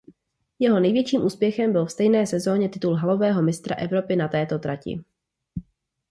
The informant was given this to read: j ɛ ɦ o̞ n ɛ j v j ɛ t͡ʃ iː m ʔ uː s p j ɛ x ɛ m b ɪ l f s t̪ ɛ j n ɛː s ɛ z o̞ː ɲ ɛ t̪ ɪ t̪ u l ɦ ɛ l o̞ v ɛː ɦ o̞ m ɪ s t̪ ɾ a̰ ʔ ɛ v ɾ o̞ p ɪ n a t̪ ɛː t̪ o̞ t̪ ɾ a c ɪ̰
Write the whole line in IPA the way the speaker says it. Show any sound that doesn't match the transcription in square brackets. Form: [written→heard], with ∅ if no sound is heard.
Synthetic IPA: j ɛ ɦ o̞ n ɛ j v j ɛ t͡ʃ iː m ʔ uː s p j ɛ x ɛ m b ɪ l f s t̪ ɛ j n ɛː s ɛ z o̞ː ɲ ɛ t̪ ɪ t̪ u l ɦ [ɛ→a] l o̞ v ɛː ɦ o̞ m ɪ s t̪ ɾ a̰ ʔ ɛ v ɾ o̞ p ɪ n a t̪ ɛː t̪ o̞ t̪ ɾ a c ɪ̰